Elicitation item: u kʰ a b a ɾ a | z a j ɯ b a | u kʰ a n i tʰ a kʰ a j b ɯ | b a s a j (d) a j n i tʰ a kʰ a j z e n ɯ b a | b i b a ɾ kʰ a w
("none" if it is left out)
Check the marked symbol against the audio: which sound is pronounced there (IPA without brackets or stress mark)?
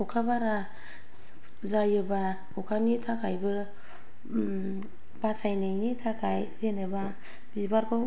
n